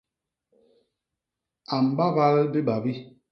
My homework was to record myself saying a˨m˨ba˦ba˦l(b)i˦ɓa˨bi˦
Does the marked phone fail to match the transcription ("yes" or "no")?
no